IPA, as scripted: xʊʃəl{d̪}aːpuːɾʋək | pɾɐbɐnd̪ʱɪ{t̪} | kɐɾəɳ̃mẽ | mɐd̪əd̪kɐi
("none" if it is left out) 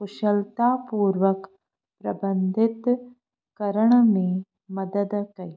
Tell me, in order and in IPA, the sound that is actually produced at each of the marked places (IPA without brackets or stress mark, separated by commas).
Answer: t̪, t̪